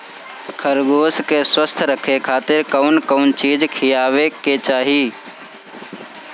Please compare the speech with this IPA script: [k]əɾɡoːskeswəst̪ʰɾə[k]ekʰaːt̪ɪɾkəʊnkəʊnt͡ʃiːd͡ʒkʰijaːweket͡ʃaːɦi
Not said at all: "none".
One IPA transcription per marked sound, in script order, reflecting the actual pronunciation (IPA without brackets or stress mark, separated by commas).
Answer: kʰ, kʰ